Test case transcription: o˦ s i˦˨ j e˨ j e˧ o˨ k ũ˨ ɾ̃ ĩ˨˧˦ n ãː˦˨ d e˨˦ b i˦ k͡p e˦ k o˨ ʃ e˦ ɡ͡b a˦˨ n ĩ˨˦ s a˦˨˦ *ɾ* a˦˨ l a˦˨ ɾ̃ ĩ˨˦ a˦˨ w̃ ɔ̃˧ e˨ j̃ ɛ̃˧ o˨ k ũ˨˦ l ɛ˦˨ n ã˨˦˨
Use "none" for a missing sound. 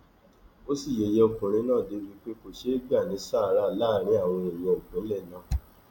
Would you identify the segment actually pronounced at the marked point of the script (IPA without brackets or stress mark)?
ɾ